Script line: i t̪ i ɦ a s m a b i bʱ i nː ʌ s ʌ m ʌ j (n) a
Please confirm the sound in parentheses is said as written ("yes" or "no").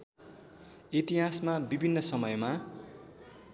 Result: no